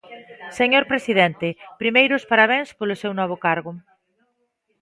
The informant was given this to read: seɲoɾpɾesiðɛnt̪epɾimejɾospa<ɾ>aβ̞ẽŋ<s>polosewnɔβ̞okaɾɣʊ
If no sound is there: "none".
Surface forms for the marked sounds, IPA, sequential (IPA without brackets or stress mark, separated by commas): ɾ, s